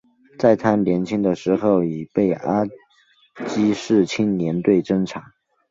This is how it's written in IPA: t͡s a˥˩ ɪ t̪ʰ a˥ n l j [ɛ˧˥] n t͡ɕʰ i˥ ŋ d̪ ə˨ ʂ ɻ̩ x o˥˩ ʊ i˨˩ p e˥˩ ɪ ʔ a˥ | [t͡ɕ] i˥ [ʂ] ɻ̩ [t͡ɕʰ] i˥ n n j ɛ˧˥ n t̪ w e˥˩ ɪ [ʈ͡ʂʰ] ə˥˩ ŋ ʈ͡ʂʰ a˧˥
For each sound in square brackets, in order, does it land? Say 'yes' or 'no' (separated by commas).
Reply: yes, yes, yes, yes, no